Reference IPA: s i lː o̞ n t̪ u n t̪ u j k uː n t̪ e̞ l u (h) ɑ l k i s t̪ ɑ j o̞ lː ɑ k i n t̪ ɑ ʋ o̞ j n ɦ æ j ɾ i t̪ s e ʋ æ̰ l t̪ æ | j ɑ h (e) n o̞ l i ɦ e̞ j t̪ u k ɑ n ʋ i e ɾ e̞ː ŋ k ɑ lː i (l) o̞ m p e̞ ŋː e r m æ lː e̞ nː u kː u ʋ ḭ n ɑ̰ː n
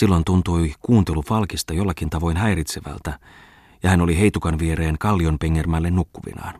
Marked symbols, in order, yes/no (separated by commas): no, no, no